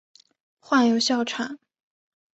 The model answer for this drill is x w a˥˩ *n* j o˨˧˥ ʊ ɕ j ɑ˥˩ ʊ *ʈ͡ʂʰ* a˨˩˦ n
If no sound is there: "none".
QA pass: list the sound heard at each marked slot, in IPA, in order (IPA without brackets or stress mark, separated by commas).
n, ʈ͡ʂʰ